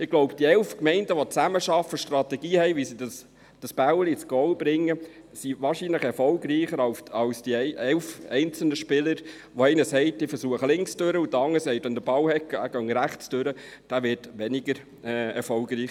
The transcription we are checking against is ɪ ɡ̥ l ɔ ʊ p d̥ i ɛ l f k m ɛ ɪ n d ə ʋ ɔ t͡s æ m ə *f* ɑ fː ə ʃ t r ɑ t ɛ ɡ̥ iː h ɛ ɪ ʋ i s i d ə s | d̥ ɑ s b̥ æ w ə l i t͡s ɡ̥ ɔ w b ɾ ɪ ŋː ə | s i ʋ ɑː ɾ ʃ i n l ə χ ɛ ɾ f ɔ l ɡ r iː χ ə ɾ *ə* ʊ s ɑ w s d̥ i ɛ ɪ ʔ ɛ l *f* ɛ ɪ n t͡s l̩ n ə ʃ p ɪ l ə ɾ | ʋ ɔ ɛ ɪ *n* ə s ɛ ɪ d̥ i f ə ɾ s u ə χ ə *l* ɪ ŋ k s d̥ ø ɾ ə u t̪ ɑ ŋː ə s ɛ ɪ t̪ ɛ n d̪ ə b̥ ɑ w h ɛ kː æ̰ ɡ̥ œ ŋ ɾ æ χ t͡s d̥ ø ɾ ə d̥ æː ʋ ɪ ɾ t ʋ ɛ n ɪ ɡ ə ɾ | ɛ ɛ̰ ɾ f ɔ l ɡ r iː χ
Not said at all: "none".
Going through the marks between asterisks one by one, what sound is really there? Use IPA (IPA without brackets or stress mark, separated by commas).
ʃ, ɑ, f, n, l